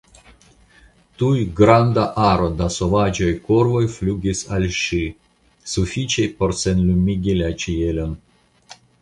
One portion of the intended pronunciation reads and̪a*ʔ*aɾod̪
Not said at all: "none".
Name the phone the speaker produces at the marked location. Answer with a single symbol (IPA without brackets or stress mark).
ʔ